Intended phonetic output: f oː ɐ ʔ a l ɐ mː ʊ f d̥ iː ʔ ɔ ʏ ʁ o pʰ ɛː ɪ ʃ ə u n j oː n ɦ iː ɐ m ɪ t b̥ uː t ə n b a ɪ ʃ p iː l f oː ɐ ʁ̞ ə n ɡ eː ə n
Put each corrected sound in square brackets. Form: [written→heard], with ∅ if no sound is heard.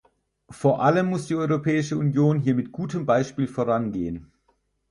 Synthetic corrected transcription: f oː ɐ ʔ a l [ɐ→ə] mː ʊ [f→s] d̥ iː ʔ ɔ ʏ ʁ o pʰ ɛː ɪ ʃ ə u n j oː n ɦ iː ɐ m ɪ t [b̥→ɡ̥] uː t ə [n→m] b a ɪ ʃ p iː l f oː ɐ ʁ̞ [ə→a] n ɡ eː ə n